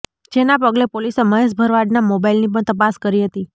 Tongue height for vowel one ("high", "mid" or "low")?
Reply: mid